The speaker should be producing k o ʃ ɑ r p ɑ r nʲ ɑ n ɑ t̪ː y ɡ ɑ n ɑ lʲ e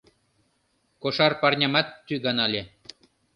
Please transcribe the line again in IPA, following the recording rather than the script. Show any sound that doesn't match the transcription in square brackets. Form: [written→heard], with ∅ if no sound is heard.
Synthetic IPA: k o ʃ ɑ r p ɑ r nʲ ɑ [n→m] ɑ t̪ː y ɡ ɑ n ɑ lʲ e